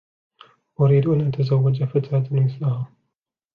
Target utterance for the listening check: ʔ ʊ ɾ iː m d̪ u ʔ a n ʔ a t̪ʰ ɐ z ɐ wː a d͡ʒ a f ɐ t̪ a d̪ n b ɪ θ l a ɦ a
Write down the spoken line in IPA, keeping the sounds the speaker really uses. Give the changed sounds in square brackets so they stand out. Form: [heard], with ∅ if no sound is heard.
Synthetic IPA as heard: ʔ ʊ ɾ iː [∅] d̪ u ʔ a n ʔ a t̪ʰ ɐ z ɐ wː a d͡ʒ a f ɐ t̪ a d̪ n [m] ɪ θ l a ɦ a